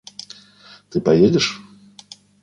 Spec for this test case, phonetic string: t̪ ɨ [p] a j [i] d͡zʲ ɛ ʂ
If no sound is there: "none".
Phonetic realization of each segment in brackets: p, e

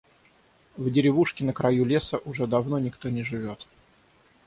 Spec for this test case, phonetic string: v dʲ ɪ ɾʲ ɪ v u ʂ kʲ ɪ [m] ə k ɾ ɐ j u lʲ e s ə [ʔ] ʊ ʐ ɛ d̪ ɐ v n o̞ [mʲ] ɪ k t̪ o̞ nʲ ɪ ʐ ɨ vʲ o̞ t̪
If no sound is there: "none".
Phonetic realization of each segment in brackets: n, ʔ, nʲ

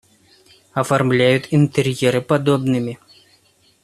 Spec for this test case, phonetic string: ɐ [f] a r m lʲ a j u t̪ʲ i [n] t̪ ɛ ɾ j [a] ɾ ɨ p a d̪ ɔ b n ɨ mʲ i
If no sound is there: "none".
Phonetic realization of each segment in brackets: f, n, ɛ

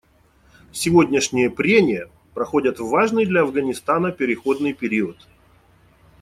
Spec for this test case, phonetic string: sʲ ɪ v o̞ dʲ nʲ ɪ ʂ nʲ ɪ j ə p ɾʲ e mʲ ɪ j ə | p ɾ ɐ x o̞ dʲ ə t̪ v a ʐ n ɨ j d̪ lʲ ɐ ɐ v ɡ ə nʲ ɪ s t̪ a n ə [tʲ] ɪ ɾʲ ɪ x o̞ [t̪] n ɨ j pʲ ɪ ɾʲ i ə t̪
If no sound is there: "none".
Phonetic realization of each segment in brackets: pʲ, d̪

